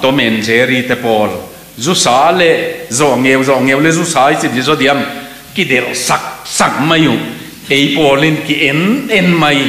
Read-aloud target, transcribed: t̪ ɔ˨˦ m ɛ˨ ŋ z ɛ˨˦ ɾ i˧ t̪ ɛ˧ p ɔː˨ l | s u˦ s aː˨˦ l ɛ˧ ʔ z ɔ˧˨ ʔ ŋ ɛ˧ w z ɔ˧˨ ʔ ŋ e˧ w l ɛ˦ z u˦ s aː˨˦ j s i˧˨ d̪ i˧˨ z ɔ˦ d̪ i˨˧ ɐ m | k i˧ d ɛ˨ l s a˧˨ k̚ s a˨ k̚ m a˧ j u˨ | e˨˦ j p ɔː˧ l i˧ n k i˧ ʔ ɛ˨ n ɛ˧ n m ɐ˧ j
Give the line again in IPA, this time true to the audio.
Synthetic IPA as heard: t̪ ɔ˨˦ m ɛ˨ n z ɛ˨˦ ɾ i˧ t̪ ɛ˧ p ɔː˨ l | z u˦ s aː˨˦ l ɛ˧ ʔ z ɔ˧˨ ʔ ŋ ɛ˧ w z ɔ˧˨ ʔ ŋ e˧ w l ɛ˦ z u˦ s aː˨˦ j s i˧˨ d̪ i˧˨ z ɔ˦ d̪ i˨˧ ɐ m | k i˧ d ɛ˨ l s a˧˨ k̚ s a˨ k̚ m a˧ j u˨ | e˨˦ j p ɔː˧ l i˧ n k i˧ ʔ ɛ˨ n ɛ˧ n m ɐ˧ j

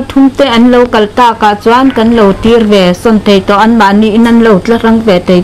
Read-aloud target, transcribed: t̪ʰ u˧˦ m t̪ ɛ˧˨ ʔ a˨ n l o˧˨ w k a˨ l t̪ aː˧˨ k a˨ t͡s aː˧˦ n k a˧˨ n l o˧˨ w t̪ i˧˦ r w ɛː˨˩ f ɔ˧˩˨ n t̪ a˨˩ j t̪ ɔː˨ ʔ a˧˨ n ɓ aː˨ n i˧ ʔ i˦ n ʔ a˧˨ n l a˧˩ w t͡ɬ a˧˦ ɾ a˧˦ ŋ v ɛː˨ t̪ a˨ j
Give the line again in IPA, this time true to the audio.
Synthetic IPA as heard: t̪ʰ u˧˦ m t̪ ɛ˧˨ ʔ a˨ n l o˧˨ w k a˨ l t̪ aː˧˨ k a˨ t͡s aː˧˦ n k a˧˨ n l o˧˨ w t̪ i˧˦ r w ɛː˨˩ s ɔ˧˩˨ n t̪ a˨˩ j t̪ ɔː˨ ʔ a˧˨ n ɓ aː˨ n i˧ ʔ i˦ n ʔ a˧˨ n l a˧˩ w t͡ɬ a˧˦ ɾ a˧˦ ŋ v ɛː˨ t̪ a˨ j

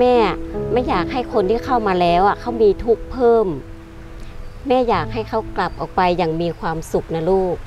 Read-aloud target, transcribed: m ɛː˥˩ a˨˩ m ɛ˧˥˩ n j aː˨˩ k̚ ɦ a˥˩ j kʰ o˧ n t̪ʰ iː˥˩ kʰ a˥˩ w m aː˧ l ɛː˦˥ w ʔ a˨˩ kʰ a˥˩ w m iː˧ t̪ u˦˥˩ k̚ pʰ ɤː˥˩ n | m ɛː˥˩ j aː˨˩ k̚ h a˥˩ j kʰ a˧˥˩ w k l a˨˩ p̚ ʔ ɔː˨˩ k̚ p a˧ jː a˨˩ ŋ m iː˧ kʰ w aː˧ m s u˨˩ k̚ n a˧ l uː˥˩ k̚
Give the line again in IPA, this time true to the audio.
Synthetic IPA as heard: m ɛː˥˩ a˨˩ m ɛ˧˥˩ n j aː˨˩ k̚ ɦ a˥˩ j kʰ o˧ n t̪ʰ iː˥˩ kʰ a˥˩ w m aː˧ l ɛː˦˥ w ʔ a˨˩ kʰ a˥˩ w m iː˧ t̪ʰ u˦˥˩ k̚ pʰ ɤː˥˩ m | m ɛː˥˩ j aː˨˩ k̚ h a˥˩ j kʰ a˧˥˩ w k l a˨˩ p̚ ʔ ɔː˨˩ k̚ p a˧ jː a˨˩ ŋ m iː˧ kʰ w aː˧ m s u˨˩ k̚ n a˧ l uː˥˩ k̚

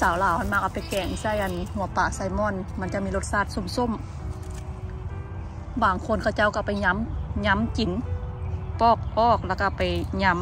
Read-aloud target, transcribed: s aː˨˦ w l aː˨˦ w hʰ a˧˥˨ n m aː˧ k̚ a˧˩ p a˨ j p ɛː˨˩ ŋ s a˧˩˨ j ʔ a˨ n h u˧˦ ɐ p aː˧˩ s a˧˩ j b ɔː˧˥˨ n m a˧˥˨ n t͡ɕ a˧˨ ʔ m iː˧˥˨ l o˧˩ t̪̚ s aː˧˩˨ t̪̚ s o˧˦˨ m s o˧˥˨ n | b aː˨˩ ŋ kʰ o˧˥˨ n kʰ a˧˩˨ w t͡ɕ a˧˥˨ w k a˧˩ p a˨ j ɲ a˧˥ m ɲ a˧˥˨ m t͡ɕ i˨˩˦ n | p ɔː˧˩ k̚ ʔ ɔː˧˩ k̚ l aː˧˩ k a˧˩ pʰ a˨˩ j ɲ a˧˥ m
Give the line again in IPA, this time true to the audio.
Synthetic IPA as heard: s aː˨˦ w l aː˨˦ w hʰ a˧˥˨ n m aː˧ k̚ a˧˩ p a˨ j k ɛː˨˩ ŋ s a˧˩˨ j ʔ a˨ n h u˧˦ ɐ p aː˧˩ s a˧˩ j m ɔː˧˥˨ n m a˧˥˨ n t͡ɕ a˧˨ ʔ m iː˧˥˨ l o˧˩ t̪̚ s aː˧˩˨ t̪̚ s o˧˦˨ m s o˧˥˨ m | b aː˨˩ ŋ kʰ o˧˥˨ n kʰ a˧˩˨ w t͡ɕ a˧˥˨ w k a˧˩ p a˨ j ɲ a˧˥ m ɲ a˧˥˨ m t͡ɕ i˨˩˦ n | p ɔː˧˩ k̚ ʔ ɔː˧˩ k̚ l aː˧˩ k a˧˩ p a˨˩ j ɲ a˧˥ m

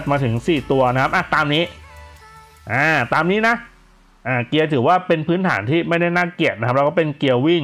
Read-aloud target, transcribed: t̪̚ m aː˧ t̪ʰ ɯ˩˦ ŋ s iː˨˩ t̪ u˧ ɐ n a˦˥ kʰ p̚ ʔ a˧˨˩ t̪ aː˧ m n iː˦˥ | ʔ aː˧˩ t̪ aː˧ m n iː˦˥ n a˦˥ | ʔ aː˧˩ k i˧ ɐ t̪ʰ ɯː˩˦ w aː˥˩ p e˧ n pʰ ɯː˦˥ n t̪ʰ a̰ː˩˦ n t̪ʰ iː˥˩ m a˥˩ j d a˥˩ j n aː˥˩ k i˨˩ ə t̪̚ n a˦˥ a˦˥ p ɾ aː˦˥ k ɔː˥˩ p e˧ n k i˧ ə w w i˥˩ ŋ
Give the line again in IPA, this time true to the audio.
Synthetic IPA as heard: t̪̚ m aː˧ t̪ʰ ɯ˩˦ ŋ s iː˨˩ t̪ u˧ ɐ n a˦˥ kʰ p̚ ʔ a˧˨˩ t̪ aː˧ m n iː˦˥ | ʔ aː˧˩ t̪ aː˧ m n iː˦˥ n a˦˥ | ʔ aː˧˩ k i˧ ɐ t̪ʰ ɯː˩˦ w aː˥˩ p e˧ n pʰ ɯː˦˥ n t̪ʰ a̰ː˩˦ n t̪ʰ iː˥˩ m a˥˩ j d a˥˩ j n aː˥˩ k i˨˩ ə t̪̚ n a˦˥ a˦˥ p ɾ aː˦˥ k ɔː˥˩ p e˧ n k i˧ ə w w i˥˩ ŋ

